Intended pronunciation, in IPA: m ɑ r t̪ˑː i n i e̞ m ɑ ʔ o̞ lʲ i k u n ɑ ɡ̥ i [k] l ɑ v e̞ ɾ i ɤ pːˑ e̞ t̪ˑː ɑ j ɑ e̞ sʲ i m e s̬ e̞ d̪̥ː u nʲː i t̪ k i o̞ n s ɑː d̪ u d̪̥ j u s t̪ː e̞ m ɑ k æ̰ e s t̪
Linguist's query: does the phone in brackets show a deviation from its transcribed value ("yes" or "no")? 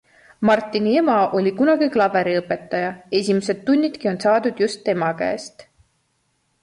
no